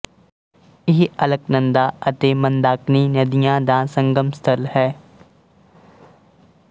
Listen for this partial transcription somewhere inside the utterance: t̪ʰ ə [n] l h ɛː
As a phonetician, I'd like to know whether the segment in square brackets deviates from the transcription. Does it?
yes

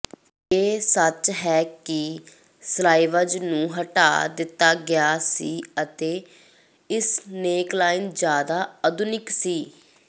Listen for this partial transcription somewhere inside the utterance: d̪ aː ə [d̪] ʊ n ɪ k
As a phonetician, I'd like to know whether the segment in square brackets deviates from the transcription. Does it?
no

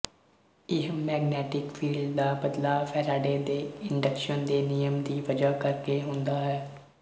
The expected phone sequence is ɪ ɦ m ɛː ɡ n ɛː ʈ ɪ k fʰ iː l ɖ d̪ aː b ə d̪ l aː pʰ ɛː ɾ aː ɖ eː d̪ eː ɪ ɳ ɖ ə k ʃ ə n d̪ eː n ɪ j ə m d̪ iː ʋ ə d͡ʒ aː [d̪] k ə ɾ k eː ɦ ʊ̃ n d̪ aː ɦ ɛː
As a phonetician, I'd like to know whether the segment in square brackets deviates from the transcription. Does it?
yes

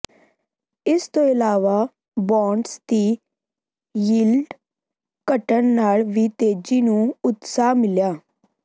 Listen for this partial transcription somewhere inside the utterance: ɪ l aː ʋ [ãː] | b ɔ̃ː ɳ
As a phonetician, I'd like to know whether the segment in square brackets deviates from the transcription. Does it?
yes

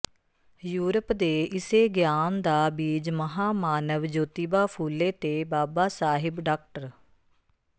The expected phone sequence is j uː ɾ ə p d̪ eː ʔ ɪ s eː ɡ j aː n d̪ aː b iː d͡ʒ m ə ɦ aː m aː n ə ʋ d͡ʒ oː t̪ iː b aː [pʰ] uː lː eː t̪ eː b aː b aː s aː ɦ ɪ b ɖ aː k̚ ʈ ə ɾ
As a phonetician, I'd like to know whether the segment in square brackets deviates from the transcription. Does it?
no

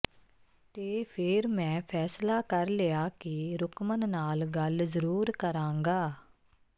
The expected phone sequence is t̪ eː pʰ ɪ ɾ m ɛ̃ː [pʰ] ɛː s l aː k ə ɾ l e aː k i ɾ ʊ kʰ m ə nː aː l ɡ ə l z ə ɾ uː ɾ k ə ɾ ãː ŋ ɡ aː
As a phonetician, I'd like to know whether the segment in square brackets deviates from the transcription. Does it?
no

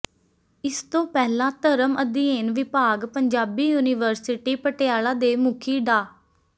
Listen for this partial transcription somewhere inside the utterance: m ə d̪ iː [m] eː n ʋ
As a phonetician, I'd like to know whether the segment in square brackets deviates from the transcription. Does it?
yes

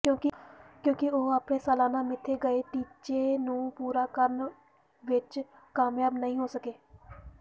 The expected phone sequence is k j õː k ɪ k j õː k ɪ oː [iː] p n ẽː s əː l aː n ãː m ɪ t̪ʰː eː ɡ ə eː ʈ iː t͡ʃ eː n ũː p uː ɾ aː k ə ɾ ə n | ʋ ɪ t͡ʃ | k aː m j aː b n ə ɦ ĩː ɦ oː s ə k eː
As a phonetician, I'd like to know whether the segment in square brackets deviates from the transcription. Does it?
yes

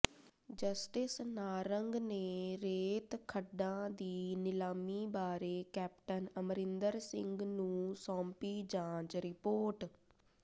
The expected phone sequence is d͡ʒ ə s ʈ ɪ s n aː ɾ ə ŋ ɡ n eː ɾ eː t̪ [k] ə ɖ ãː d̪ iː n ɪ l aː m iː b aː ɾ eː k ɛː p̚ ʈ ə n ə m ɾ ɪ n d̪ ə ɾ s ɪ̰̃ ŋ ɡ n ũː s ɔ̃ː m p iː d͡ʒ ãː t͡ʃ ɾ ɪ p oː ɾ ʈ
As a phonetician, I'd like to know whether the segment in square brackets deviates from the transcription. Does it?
yes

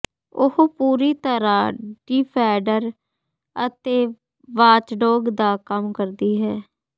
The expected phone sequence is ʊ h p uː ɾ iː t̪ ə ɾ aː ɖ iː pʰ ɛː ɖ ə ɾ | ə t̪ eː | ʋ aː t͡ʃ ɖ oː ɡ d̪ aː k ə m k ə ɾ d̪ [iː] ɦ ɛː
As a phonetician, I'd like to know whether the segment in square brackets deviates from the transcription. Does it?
no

